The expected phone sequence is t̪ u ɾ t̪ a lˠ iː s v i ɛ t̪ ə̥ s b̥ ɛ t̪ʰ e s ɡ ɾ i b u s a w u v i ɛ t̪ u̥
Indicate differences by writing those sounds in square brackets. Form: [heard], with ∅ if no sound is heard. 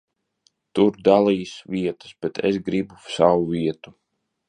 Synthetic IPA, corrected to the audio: t̪ u ɾ [d̪] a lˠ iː s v i ɛ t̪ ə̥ s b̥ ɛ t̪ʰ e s ɡ ɾ i b u s a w u v i ɛ t̪ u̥